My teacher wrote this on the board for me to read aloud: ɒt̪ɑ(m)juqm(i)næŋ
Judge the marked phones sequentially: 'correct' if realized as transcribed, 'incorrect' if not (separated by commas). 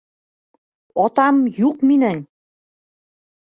correct, correct